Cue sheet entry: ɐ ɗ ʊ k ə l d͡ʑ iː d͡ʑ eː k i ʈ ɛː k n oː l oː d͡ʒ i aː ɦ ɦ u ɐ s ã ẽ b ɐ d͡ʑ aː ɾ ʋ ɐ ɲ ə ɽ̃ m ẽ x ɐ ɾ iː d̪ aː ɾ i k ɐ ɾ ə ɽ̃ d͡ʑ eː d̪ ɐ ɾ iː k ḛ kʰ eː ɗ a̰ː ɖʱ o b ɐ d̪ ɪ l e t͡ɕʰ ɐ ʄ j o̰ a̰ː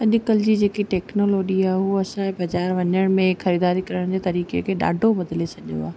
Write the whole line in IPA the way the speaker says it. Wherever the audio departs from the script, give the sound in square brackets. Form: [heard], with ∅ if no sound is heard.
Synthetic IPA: ɐ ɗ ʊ k ə l d͡ʑ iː d͡ʑ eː k i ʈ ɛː k n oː l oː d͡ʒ i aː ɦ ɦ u ɐ s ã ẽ b ɐ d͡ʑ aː ɾ ʋ ɐ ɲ ə ɽ̃ m ẽ x ɐ ɾ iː d̪ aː ɾ i k ɐ ɾ ə ɽ̃ d͡ʑ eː [t̪] ɐ ɾ iː k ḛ kʰ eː ɗ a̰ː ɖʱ o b ɐ d̪ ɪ l e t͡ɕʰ ɐ ʄ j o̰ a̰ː